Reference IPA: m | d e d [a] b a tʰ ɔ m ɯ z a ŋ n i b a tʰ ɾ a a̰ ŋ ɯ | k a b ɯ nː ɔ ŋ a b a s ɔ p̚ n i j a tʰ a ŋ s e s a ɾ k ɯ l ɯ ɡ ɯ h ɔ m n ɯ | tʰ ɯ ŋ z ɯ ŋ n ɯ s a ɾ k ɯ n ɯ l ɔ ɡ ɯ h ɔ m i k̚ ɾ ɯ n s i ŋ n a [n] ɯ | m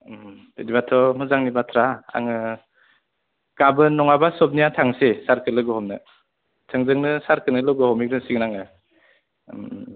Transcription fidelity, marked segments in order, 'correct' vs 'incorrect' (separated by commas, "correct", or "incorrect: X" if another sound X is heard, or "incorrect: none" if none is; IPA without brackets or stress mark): incorrect: i, incorrect: ŋ